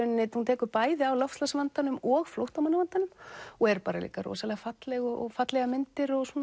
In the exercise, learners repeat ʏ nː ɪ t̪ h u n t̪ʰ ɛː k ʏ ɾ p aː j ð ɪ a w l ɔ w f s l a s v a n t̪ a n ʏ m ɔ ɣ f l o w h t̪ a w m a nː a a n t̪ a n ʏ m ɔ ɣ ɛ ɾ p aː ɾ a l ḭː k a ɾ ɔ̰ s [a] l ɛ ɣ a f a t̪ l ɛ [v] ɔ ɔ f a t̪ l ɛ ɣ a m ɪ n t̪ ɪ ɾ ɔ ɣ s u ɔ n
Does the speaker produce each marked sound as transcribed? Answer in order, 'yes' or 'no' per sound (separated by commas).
yes, no